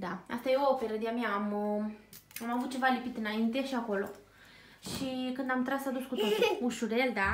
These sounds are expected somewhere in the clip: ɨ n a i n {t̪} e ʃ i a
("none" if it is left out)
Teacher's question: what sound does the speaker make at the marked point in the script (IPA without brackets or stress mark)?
t̪